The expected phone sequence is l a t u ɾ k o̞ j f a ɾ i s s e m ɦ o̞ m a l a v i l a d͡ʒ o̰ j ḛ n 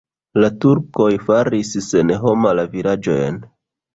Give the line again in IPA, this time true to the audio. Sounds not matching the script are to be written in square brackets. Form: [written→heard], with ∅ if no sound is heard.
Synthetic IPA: l a t u ɾ k o̞ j f a ɾ i s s e [m→n] ɦ o̞ m a l a v i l a d͡ʒ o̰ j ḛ n